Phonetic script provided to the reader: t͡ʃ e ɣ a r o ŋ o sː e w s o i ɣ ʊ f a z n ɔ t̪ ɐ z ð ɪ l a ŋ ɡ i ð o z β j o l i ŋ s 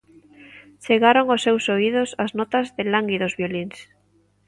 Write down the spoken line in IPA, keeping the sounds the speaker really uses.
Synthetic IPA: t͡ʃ e ɣ a ɾ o ŋ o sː e w s o i ð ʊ s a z n ɔ t̪ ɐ z ð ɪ l a ŋ ɡ i ð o z β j o l i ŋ s